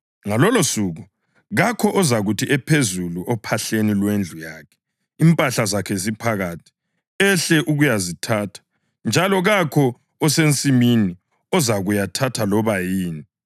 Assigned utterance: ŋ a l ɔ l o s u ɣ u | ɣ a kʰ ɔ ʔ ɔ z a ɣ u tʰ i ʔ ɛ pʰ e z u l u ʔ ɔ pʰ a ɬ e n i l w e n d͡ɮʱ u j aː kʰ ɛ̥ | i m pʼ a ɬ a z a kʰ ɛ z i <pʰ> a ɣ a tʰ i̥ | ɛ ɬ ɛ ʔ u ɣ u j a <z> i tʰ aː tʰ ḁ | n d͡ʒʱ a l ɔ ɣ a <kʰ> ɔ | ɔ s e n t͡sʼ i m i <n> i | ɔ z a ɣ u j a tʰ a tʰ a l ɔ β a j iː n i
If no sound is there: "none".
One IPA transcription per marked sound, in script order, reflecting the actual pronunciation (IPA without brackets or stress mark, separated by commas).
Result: pʰ, z, kʰ, n